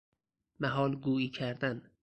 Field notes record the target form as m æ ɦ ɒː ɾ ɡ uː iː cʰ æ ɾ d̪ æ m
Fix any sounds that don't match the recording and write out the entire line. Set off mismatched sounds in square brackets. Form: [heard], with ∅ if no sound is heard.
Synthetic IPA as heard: m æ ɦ ɒː [l] ɡ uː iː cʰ æ ɾ d̪ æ [n]